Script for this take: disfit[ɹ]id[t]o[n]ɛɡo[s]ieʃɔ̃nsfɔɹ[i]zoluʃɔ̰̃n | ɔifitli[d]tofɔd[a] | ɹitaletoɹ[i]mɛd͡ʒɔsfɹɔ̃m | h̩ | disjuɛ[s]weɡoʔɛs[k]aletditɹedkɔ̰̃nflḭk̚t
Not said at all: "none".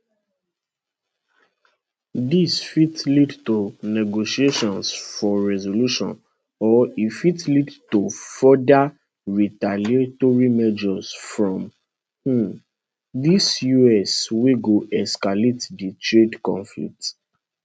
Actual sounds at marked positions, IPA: l, t, n, ʃ, ɛ, d, a, i, s, k

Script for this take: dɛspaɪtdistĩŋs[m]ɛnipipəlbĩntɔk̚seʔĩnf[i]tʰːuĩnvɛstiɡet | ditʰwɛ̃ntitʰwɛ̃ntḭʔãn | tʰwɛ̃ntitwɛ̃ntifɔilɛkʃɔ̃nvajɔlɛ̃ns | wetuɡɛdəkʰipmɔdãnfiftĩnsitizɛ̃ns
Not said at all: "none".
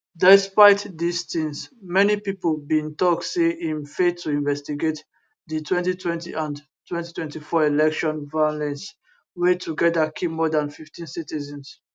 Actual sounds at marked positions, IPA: m, e

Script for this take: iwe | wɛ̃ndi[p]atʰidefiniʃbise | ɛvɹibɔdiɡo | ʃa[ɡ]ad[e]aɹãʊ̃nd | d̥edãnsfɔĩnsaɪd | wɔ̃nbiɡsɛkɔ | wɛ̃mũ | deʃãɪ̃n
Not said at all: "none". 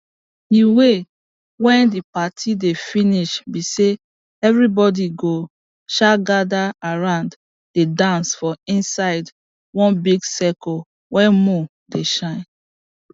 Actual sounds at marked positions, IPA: p, ɡ, a

